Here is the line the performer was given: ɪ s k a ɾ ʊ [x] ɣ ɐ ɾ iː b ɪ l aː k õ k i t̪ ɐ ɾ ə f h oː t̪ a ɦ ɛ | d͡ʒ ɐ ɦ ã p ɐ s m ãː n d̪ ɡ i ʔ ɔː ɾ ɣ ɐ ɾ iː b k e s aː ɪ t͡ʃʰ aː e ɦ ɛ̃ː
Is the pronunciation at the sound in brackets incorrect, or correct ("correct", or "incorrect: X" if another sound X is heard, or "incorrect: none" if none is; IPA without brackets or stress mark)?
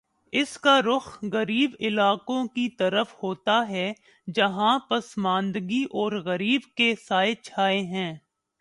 correct